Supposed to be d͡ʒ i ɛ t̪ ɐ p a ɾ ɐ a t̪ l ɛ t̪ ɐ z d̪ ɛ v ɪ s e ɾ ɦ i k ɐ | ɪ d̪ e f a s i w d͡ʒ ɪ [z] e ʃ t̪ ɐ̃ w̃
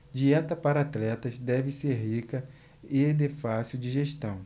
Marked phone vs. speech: incorrect: ʒ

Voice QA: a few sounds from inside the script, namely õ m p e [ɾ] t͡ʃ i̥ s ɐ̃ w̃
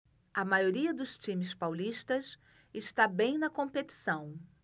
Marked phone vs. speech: incorrect: none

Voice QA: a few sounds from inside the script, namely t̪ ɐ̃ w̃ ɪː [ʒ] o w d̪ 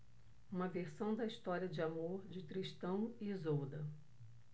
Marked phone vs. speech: incorrect: z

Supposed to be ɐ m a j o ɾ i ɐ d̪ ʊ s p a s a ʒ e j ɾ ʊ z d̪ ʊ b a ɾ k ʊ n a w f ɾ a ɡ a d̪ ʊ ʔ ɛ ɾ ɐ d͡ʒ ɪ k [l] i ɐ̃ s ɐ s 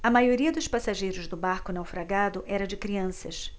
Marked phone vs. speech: incorrect: ɾ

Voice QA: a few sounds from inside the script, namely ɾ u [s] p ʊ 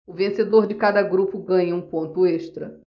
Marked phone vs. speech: incorrect: none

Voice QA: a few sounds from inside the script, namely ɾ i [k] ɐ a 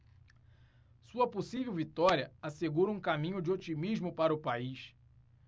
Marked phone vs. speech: incorrect: none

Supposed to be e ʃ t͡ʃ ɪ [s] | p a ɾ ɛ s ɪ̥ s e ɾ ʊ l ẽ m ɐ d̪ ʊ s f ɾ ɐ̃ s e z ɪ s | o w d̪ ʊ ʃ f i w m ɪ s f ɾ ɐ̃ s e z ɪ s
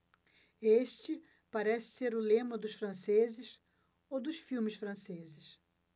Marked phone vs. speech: incorrect: none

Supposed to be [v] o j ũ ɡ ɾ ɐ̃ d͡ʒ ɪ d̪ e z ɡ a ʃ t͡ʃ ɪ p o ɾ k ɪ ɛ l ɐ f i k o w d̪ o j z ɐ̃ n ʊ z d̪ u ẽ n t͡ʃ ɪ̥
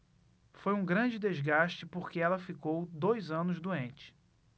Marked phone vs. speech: incorrect: f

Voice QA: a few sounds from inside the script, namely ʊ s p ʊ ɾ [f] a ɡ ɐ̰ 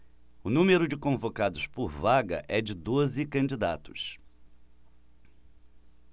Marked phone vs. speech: incorrect: v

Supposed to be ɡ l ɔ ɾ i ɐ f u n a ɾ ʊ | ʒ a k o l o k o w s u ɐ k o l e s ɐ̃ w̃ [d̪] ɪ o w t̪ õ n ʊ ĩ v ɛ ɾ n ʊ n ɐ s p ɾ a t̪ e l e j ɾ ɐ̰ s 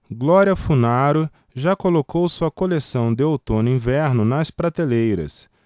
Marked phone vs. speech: correct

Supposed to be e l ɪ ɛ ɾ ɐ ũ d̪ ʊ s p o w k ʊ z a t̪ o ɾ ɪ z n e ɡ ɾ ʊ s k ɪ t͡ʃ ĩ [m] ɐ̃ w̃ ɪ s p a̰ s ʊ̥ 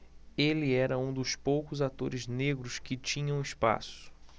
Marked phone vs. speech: incorrect: ɲ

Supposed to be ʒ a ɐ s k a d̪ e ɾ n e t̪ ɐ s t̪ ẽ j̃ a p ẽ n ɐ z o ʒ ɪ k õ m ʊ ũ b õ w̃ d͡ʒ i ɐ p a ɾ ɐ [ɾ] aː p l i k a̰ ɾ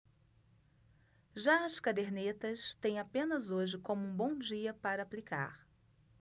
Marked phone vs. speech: incorrect: none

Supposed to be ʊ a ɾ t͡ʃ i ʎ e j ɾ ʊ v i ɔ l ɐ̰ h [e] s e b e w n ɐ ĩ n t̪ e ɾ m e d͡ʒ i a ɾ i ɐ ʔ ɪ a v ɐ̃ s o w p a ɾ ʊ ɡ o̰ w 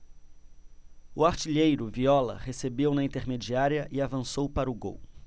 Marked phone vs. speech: correct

